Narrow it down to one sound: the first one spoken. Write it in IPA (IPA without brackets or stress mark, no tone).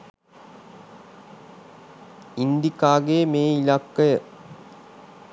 i